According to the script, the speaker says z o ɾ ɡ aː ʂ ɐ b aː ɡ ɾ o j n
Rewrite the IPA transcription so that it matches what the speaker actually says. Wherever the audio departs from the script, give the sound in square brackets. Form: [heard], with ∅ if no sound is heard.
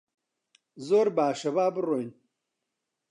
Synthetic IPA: z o ɾ [b] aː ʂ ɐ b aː [b] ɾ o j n